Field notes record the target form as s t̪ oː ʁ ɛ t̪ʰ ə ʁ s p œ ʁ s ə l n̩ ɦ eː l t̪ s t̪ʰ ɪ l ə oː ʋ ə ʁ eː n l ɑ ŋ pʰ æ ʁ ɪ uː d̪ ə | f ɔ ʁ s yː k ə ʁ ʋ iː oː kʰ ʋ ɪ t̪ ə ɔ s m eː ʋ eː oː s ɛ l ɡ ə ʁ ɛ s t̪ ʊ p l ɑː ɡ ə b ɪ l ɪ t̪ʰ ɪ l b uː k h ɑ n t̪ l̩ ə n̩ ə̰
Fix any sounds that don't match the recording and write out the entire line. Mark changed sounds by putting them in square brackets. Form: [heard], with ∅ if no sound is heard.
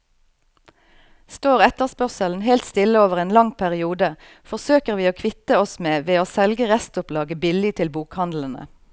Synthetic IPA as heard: s t̪ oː ʁ ɛ [t̪] ə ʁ s p œ ʁ s ə l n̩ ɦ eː l t̪ s [t̪] ɪ l ə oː ʋ ə ʁ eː n l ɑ ŋ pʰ æ ʁ ɪ uː d̪ ə | f ɔ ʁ s [øː] k ə ʁ ʋ iː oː kʰ ʋ ɪ t̪ ə ɔ s m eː ʋ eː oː s ɛ l ɡ ə ʁ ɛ s t̪ ʊ p l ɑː ɡ ə b ɪ l ɪ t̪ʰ ɪ l b uː k h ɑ n [d̪] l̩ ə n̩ ə̰